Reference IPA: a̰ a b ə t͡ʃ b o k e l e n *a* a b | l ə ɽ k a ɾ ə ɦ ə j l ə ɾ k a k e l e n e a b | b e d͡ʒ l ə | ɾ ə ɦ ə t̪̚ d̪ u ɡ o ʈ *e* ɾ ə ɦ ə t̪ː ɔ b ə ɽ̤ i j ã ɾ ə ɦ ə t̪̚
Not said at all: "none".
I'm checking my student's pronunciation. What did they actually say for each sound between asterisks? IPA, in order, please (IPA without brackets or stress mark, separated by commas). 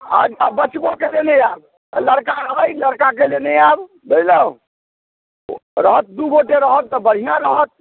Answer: e, e